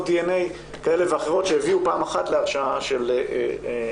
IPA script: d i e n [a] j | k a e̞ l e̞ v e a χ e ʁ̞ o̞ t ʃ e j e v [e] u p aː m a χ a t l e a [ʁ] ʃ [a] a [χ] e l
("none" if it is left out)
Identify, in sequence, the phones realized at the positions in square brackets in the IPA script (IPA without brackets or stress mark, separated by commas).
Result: e, i, ʁ, a, ʃ